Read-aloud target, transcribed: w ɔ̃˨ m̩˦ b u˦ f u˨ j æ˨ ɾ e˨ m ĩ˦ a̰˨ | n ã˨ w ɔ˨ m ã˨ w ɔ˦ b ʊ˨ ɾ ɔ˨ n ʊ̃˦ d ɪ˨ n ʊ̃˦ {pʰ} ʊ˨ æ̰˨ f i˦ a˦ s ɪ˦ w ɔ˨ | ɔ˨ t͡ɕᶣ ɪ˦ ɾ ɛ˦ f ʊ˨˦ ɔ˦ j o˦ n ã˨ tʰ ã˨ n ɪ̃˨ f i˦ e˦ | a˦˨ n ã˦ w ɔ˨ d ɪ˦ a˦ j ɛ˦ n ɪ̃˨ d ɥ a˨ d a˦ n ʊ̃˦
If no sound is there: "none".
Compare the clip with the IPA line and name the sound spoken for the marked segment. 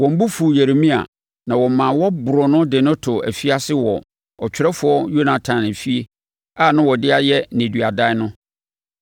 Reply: tʰ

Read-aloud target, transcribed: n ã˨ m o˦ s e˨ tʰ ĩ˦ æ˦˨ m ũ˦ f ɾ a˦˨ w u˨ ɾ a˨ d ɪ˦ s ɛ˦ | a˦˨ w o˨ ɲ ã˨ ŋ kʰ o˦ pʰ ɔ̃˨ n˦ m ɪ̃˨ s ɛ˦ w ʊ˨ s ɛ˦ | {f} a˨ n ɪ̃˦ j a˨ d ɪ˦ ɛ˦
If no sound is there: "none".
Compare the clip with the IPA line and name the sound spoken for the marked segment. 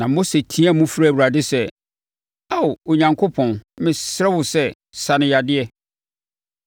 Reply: s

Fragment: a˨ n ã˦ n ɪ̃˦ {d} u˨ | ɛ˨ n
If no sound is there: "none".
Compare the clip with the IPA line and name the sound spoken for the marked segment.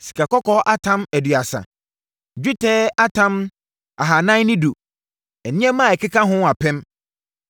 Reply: d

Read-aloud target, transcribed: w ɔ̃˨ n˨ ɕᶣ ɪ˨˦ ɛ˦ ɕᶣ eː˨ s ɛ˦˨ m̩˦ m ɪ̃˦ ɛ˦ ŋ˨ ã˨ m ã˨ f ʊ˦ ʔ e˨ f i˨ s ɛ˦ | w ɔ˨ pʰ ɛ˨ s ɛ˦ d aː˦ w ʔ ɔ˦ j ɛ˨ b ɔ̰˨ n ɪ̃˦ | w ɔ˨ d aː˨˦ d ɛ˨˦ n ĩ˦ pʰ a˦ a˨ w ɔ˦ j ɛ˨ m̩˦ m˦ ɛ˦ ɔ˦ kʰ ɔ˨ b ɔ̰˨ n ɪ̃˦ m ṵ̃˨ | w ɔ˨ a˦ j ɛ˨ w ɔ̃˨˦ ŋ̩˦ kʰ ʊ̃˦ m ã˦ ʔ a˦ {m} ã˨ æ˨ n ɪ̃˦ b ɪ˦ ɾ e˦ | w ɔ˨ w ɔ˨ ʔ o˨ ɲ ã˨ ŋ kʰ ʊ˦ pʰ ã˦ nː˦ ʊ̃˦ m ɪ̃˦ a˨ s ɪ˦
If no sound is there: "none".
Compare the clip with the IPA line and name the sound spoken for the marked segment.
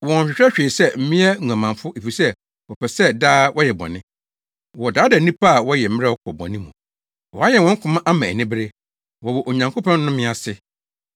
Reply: m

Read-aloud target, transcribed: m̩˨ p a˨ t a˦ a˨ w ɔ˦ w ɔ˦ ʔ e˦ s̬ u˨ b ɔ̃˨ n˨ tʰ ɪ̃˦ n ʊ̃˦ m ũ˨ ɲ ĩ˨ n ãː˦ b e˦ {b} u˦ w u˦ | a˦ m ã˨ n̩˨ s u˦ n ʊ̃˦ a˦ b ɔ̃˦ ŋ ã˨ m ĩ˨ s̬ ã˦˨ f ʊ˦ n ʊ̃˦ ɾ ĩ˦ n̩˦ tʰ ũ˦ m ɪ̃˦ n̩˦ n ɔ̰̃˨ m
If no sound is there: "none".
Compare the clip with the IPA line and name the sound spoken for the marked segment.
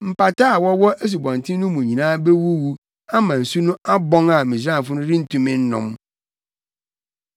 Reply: w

